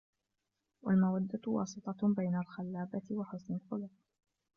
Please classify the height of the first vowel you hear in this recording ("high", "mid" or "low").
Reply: low